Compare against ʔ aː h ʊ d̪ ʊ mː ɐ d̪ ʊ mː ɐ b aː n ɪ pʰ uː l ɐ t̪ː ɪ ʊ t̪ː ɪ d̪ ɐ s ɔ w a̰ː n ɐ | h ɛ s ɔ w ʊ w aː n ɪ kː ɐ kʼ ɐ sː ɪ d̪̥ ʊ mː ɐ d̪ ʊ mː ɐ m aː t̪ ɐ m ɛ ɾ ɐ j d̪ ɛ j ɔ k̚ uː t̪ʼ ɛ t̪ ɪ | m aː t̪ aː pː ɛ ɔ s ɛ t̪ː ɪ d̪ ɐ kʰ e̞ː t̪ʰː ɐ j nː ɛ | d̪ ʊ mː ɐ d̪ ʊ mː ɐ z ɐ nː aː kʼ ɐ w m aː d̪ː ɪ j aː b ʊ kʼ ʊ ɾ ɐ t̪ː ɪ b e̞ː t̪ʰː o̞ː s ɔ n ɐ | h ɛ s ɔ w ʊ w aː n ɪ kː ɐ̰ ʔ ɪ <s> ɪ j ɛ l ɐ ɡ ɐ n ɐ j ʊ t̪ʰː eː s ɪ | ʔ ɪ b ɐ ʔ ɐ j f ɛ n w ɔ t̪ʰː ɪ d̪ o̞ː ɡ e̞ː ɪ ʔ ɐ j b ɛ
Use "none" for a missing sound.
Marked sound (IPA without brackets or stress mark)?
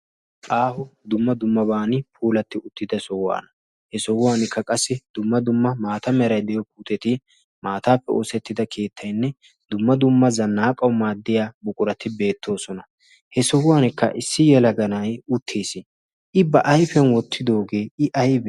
sː